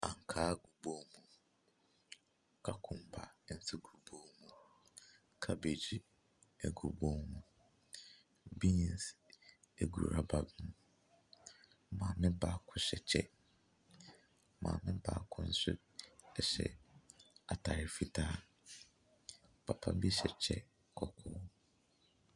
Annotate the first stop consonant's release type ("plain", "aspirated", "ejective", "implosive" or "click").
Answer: aspirated